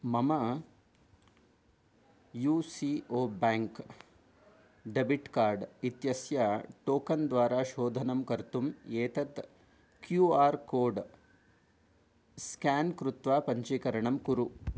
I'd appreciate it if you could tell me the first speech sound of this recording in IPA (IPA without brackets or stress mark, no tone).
m